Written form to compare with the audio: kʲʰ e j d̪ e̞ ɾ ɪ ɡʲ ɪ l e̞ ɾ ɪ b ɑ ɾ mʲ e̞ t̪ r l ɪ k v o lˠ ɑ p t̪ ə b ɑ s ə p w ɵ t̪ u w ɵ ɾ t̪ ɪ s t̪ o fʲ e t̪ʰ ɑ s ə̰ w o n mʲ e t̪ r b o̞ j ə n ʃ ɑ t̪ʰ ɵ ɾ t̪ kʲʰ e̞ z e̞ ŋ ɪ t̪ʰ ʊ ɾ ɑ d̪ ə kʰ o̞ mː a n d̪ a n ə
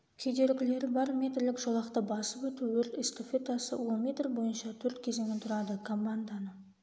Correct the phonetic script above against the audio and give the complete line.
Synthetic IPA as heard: kʲʰ e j d̪ e̞ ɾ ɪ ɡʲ ɪ l e̞ ɾ ɪ b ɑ ɾ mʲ e̞ t̪ r l ɪ k ʒ o lˠ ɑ q t̪ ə b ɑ s ə p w ɵ t̪ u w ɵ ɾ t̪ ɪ s t̪ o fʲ e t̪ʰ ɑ s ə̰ w o n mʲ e t̪ r b o̞ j ə n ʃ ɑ t̪ʰ ɵ ɾ t̪ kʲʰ e̞ z e̞ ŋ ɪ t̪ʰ ʊ ɾ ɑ d̪ ə kʰ o̞ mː a n d̪ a n ə

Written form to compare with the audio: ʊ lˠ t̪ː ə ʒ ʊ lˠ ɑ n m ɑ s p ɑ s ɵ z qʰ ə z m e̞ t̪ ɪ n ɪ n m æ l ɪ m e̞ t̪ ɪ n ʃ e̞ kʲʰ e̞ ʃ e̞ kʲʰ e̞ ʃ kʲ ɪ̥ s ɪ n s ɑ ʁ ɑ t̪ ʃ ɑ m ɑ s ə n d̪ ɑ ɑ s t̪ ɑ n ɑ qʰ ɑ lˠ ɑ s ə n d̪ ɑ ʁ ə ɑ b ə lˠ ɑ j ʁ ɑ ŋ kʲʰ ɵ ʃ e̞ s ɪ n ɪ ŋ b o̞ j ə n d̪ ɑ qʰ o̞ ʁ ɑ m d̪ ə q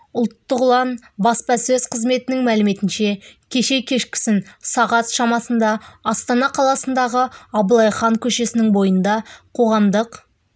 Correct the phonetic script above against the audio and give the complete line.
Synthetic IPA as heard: ʊ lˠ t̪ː ə ʁ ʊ lˠ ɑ n b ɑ s p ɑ s ɵ z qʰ ə z m e̞ t̪ ɪ n ɪ ŋ m æ l ɪ m e̞ t̪ ɪ n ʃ e̞ kʲʰ e̞ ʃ e̞ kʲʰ e̞ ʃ kʲ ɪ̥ s ɪ n s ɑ ʁ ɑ t̪ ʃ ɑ m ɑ s ə n d̪ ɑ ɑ s t̪ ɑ n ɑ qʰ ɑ lˠ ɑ s ə n d̪ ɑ ʁ ə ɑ b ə lˠ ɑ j χ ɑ ŋ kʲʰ ɵ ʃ e̞ s ɪ n ɪ ŋ b o̞ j ə n d̪ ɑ qʰ o̞ ʁ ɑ m d̪ ə q

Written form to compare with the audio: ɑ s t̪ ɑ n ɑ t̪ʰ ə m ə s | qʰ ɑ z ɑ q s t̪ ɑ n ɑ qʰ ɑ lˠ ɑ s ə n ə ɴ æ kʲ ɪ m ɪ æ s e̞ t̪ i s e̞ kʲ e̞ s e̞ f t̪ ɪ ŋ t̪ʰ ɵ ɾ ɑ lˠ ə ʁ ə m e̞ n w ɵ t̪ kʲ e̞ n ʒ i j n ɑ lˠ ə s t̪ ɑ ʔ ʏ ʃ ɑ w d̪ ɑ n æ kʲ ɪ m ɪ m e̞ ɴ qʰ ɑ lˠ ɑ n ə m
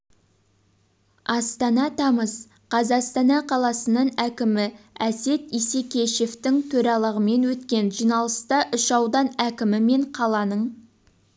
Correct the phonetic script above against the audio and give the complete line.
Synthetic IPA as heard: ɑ s t̪ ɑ n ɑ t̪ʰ ɑ m ə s | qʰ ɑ z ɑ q s t̪ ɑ n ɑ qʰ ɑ lˠ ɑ s ə n ə ɴ æ kʲ ɪ m ɪ æ s e̞ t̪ i s e̞ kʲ e̞ ʃ e̞ f t̪ ɪ ŋ t̪ʰ ɵ ɾ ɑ lˠ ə ʁ ə m e̞ n w ɵ t̪ kʲ e̞ n ʒ i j n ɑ lˠ ə s t̪ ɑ ʔ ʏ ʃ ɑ w d̪ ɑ n æ kʲ ɪ m ɪ m e̞ ɴ qʰ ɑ lˠ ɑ n ə ɴ

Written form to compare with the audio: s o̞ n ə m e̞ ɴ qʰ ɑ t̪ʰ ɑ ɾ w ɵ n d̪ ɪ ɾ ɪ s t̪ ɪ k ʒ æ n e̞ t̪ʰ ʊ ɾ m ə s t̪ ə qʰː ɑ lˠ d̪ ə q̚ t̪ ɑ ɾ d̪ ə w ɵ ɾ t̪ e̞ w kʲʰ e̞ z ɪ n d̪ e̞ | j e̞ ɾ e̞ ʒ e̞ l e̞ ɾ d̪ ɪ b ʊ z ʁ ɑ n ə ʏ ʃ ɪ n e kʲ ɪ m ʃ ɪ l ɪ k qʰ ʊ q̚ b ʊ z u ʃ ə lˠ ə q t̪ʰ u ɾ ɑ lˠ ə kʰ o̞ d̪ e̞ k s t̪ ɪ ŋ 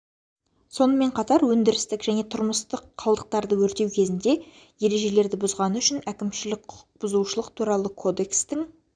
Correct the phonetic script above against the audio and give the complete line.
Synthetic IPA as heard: s o̞ n ə m e̞ ɴ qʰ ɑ t̪ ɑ ɾ w ɵ n d̪ ɪ ɾ ɪ s t̪ ɪ k ʒ æ n e̞ t̪ʰ ʊ ɾ m ə s t̪ ə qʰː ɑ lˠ d̪ ə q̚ t̪ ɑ ɾ d̪ ə w ɵ ɾ t̪ e̞ w kʲʰ e̞ z ɪ n d̪ e̞ | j e̞ ɾ e̞ ʒ e̞ l e̞ ɾ d̪ ɪ b ʊ z ʁ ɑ n ə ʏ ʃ ɪ n æ kʲ ɪ m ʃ ɪ l ɪ k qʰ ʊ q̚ b ʊ z u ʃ ə lˠ ə q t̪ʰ u ɾ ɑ lˠ ə kʰ o̞ d̪ e̞ k s t̪ ɪ ŋ

